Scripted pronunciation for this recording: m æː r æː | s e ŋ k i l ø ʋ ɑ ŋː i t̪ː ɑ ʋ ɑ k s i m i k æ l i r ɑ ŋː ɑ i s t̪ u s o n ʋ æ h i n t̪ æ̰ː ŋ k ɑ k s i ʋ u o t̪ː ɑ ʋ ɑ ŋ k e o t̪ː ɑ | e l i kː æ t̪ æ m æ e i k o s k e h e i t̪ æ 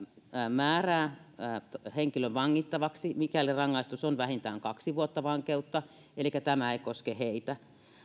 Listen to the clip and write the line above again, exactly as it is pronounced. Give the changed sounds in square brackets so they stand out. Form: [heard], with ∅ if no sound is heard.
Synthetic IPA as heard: m æː r æː | [h] e ŋ k i l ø ʋ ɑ ŋː i t̪ː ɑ ʋ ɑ k s i m i k æ l i r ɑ ŋː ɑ i s t̪ u s o n ʋ æ h i n t̪ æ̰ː ŋ k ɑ k s i ʋ u o t̪ː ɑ ʋ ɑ ŋ k e [u] t̪ː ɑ | e l i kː æ t̪ æ m æ e i k o s k e h e i t̪ æ